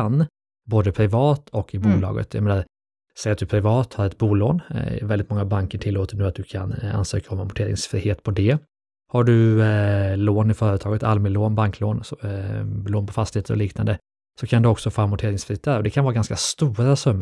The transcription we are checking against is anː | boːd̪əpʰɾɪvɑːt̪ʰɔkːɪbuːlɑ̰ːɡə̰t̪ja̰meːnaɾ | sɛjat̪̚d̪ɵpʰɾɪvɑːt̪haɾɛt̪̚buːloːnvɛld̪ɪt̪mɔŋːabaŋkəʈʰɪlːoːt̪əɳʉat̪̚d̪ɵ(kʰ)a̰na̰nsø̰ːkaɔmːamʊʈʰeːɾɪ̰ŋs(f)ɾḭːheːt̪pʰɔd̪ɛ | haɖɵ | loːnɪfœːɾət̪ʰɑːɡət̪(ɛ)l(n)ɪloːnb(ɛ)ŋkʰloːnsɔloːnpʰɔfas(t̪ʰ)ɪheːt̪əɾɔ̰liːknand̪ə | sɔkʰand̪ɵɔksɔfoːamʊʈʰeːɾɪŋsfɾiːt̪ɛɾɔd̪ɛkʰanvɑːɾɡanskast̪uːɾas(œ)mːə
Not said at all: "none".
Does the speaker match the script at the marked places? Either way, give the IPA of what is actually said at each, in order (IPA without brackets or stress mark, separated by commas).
kʰ, f, a, m, a, t̪, œ